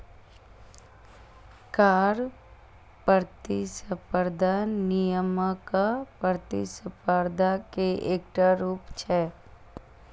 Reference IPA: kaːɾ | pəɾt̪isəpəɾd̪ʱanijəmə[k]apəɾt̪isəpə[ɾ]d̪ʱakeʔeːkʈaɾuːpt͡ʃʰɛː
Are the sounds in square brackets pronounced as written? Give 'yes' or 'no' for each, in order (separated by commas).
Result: yes, yes